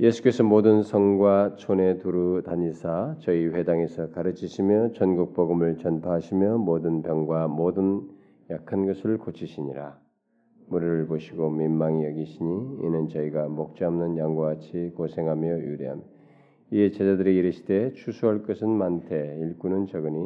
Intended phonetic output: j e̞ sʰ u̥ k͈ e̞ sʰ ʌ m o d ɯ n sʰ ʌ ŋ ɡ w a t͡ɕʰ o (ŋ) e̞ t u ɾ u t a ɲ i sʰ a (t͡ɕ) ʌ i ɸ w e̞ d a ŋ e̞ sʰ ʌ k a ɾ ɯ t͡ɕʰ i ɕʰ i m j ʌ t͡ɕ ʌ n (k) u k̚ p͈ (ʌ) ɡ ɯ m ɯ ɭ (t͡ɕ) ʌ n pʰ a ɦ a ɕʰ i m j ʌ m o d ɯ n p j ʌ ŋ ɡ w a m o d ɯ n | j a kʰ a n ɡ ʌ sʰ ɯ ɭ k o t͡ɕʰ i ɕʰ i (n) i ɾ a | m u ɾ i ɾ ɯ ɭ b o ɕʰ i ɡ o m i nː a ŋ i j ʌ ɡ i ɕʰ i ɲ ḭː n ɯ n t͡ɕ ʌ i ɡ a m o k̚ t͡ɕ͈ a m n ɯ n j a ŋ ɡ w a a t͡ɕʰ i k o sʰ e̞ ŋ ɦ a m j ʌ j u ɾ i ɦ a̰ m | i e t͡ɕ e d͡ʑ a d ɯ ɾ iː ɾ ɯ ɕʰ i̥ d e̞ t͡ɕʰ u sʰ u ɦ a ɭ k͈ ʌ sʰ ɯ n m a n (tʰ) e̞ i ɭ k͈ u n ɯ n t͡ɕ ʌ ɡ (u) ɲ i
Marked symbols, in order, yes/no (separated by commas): no, yes, no, yes, yes, no, yes, no